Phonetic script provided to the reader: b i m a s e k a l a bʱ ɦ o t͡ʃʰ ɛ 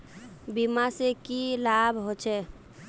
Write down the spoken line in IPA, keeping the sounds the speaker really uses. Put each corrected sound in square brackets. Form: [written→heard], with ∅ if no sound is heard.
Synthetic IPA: b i m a s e k [a→i] l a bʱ ɦ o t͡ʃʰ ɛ